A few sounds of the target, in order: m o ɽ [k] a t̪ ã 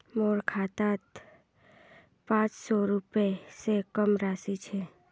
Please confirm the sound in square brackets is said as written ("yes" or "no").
no